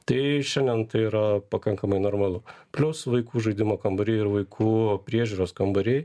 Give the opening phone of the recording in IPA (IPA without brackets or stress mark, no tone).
t̪